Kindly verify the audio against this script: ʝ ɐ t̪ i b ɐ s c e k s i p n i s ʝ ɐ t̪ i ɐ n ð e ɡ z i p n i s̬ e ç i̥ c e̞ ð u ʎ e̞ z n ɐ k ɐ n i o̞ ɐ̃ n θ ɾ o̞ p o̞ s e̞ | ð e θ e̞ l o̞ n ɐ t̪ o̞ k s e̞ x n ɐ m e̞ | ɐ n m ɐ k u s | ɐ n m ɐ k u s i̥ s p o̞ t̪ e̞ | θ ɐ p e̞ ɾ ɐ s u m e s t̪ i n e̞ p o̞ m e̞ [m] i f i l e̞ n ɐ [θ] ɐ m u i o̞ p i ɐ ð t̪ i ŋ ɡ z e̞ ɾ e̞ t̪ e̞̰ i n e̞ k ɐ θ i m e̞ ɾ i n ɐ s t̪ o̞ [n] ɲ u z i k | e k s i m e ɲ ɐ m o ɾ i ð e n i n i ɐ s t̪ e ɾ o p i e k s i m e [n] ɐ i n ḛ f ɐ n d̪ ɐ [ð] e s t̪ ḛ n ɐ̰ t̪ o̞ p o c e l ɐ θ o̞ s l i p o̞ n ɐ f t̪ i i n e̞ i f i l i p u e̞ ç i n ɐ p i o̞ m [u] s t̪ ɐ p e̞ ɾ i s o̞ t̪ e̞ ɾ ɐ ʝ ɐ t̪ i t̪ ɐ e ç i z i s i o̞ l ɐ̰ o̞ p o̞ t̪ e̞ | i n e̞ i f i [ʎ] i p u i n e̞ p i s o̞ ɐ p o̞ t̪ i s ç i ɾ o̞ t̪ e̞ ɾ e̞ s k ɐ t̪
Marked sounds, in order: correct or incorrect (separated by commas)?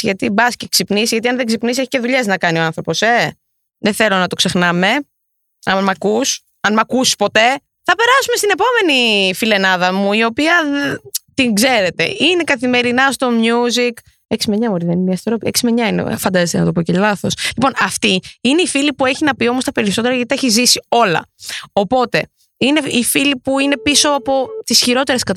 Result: incorrect, incorrect, incorrect, incorrect, incorrect, incorrect, incorrect